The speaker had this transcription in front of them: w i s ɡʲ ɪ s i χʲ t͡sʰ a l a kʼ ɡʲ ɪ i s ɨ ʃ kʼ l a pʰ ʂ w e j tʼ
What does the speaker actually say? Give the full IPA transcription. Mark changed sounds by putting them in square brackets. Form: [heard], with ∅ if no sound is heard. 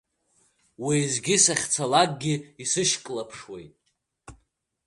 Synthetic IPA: w i [z] ɡʲ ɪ s [a] χʲ t͡sʰ a l a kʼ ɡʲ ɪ i s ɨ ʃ kʼ l a pʰ ʂ w e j tʼ